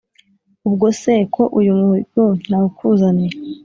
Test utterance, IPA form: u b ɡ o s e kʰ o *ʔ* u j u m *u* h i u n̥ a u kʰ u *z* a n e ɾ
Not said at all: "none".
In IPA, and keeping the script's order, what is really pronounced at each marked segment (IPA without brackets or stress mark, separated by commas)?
ʔ, u, z